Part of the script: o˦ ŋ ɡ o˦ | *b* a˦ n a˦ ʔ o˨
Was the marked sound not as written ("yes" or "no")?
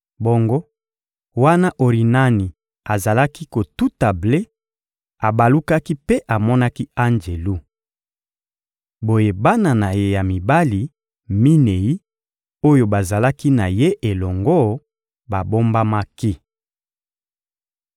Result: yes